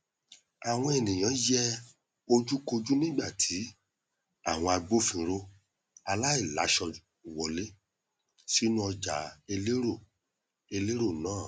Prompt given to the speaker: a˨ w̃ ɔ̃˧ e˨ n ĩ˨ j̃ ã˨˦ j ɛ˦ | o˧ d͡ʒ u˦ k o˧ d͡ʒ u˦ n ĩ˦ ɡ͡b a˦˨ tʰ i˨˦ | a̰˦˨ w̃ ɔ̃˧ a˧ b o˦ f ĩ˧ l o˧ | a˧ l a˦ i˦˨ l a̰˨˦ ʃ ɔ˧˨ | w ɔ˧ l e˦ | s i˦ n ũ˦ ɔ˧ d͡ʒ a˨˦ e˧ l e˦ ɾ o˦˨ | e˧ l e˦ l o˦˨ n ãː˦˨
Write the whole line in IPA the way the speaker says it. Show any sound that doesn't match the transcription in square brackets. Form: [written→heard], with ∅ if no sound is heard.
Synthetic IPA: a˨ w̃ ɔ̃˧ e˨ n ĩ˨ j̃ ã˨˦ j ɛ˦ | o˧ d͡ʒ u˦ k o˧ d͡ʒ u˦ n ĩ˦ ɡ͡b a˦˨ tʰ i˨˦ | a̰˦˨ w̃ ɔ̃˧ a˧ [b→ɡ͡b] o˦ f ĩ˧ [l→ɾ] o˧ | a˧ l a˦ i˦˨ l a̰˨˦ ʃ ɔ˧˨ | w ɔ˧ l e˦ | s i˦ n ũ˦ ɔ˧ d͡ʒ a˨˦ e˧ l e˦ ɾ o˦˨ | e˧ l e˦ [l→ɾ] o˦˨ n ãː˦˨